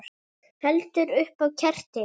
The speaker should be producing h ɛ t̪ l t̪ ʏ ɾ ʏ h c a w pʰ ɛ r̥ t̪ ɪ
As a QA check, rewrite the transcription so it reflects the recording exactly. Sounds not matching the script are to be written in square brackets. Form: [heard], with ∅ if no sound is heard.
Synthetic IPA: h ɛ [∅] l t̪ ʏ ɾ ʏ h [p] a w [cʰ] ɛ r̥ t̪ ɪ

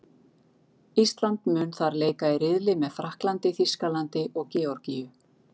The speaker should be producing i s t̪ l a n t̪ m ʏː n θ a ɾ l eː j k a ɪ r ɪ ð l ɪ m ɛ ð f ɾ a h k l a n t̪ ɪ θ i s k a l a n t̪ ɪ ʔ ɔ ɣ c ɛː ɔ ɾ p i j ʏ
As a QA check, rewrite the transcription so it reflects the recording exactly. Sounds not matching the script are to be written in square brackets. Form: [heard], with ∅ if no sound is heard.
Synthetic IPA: i s t̪ l a n t̪ m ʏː n θ a ɾ l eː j k a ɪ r ɪ ð l ɪ m ɛ ð f ɾ a h k l a n t̪ ɪ θ i s k a l a n t̪ ɪ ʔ ɔ ɣ c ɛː ɔ ɾ [c] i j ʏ

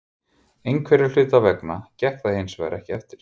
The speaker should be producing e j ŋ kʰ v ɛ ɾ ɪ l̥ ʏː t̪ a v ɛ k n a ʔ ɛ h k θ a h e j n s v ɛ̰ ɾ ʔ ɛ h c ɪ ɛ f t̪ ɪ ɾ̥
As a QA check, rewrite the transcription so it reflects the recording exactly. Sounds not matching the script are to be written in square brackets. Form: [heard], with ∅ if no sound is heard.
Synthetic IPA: e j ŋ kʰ v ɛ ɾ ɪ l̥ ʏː t̪ a v ɛ k n a [c] ɛ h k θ a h e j n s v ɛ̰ ɾ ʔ ɛ h c ɪ ɛ f t̪ ɪ ɾ̥

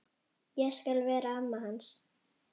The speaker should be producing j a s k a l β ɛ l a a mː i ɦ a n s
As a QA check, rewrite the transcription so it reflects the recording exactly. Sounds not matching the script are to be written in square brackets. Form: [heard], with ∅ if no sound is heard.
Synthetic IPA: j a s k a l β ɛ [ɾ] a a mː [a] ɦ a n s

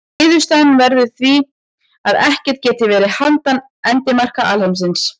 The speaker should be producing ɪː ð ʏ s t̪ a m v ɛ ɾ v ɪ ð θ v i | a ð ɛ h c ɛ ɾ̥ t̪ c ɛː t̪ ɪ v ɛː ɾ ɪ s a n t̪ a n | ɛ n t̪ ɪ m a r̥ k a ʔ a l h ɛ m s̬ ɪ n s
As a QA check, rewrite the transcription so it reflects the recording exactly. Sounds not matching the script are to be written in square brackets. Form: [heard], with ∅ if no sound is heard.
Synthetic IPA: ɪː ð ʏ s t̪ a [n] v ɛ ɾ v ɪ ð θ v i | a ð ɛ h c ɛ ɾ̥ t̪ c ɛː t̪ ɪ v ɛː ɾ ɪ [h] a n t̪ a n | ɛ n t̪ ɪ m a r̥ k a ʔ a l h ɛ m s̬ ɪ n s

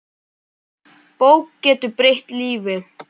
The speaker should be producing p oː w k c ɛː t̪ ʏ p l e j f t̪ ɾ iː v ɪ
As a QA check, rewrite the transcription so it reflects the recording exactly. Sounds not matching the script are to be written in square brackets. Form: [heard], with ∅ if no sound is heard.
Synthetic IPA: p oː w k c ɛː t̪ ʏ p [ɾ] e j [h] t̪ [l] iː v ɪ

